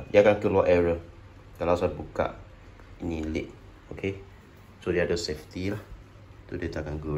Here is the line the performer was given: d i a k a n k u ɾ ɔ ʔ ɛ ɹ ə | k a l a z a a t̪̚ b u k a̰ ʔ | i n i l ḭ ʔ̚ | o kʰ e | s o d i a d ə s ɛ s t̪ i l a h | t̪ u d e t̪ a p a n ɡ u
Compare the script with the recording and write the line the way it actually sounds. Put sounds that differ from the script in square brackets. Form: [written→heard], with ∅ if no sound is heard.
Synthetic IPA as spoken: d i a k a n k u [ɾ→l] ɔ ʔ ɛ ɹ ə | k a l a [z→s] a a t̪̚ b u k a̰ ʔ | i n i l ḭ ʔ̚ | o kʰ e | s o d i a d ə s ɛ [s→f] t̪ i l a h | t̪ u d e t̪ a [p→k] a n ɡ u